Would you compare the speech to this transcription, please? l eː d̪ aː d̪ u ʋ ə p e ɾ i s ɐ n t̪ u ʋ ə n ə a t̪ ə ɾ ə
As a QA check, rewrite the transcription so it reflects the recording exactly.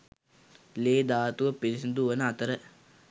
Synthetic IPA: l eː d̪ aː t̪ u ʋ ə p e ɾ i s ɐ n d̪ u ʋ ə n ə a t̪ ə ɾ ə